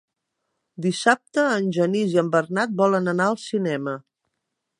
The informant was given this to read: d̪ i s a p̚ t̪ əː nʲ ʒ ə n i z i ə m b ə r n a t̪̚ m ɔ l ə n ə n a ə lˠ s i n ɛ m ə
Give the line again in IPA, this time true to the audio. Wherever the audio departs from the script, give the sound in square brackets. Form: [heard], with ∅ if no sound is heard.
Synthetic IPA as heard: d̪ i s a p̚ t̪ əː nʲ ʒ ə n i z i ə m b ə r n a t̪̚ [b] ɔ l ə n ə n a ə lˠ s i n ɛ m ə